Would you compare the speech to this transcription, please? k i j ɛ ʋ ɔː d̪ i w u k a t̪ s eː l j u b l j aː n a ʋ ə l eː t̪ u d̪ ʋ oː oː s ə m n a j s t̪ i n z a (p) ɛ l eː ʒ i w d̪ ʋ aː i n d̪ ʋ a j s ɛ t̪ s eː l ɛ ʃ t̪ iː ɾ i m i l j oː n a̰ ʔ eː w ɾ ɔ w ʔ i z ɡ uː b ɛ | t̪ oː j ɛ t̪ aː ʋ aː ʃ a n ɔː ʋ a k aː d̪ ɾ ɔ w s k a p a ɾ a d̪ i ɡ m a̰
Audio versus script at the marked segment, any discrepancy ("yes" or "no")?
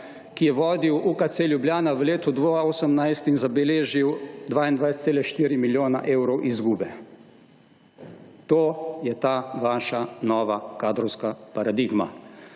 yes